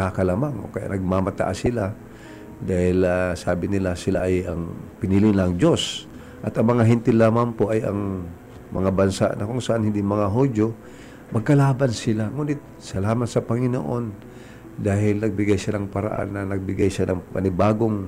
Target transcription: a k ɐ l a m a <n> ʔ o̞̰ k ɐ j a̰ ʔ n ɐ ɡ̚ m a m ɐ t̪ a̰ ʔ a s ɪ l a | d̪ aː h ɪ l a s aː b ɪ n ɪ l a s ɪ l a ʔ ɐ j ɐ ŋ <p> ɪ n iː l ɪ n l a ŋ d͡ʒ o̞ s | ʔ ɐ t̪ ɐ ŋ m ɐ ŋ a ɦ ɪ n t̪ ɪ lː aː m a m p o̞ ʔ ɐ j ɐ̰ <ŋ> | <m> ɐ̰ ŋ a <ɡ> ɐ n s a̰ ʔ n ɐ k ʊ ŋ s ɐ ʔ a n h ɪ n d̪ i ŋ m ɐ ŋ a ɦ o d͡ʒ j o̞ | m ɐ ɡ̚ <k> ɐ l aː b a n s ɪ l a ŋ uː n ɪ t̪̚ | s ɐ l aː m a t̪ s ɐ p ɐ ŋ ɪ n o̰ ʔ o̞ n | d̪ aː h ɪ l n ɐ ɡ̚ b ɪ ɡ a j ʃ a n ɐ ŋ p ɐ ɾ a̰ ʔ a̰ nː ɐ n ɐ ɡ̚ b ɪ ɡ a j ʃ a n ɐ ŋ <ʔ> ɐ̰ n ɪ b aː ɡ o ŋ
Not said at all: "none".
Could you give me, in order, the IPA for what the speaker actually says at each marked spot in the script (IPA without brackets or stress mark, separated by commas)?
ŋ, p, ŋ, m, b, k, p